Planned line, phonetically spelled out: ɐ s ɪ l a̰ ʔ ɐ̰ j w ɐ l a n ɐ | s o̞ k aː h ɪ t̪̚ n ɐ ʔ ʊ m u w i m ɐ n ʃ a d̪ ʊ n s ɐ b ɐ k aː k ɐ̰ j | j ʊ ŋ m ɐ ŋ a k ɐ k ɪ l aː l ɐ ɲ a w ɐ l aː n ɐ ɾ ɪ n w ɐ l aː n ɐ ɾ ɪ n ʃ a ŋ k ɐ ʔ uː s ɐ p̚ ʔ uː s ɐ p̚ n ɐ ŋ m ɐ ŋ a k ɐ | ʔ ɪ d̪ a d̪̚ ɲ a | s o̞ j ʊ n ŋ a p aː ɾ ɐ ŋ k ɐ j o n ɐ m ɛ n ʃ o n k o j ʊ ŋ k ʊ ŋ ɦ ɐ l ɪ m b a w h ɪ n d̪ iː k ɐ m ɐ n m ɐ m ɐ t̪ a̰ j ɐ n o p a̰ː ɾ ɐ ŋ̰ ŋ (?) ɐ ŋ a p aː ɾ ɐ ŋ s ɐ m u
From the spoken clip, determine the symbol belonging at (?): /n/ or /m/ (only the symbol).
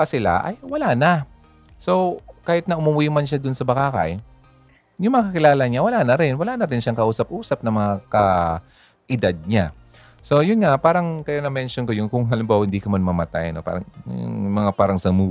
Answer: m